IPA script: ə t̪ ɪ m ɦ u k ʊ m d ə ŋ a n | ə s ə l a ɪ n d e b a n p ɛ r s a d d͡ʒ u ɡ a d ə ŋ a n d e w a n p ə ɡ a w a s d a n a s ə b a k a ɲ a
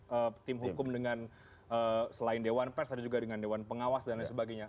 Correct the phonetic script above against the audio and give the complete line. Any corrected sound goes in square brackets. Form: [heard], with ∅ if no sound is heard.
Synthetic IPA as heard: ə t̪ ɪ m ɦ u k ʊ m d ə ŋ a n | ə s ə l a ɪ n d e [w] a n p ɛ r s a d d͡ʒ u ɡ a d ə ŋ a n d e w a n p ə [ŋ] a w a s d a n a s ə b a [ɡ] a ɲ a